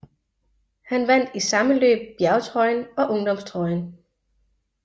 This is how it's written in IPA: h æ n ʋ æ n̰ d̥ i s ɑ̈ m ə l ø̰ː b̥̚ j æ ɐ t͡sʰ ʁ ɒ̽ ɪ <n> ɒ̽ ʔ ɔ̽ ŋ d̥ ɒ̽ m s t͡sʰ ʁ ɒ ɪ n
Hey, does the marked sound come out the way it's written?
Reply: yes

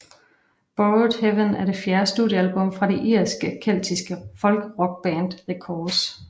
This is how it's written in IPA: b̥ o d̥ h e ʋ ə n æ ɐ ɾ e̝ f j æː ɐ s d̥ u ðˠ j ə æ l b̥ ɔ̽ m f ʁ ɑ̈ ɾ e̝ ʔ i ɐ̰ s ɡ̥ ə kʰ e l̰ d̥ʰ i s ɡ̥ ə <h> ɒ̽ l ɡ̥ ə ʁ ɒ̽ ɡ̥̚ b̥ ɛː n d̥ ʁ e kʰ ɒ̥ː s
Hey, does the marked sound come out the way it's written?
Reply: no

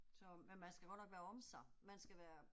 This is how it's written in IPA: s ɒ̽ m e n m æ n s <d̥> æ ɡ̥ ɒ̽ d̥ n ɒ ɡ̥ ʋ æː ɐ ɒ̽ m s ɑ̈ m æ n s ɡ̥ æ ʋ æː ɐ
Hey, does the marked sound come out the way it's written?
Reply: no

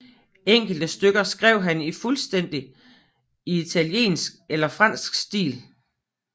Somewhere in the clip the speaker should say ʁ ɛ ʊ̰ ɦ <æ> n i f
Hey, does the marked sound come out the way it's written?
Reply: yes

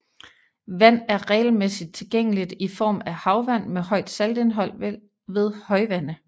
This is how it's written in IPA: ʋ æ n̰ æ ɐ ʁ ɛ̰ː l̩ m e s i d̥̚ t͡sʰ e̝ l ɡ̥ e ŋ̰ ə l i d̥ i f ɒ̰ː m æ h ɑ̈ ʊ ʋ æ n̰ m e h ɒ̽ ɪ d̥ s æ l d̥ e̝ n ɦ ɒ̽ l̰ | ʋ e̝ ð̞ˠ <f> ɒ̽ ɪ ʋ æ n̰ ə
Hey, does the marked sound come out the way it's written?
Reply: no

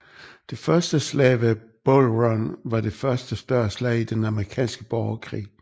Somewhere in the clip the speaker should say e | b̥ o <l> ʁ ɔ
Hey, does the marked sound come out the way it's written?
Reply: yes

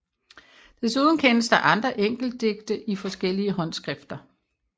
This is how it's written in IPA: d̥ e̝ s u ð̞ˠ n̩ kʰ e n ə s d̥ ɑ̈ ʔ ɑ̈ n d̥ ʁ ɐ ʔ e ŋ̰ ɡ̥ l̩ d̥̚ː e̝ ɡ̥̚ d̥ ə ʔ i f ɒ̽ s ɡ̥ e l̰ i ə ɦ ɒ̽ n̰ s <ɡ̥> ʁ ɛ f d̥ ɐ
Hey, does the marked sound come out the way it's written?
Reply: yes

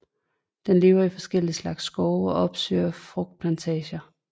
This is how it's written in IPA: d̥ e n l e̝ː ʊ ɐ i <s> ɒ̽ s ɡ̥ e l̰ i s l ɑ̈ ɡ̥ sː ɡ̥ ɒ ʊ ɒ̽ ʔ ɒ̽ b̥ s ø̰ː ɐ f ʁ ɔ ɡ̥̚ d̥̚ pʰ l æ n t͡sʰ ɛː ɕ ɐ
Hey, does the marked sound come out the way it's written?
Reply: no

